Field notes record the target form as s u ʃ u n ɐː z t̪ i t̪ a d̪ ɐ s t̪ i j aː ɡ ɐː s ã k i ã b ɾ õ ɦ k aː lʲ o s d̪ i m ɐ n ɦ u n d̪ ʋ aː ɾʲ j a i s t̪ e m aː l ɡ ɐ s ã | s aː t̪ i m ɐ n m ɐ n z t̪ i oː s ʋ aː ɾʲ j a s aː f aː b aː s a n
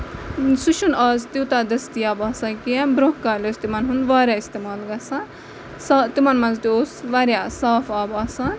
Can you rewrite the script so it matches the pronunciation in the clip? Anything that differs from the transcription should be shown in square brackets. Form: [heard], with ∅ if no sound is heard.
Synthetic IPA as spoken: s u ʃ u n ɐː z t̪ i t̪ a d̪ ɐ s t̪ i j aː [b] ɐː s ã k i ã b ɾ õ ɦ k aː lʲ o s [t̪] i m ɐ n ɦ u n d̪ ʋ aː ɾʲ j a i s t̪ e m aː l ɡ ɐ s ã | s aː t̪ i m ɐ n m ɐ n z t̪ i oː s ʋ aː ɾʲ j a s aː f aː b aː s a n